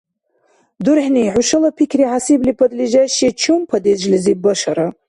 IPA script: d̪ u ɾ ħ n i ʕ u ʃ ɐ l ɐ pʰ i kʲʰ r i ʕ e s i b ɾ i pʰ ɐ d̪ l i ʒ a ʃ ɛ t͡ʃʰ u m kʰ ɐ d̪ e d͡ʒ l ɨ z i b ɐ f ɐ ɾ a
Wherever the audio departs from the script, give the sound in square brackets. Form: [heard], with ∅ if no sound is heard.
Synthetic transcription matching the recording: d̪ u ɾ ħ n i ʕ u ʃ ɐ l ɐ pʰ i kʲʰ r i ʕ [a] s i b [l] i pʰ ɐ d̪ l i ʒ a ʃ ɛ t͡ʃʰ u m [pʰ] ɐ d̪ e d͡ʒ l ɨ z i b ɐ [ʃ] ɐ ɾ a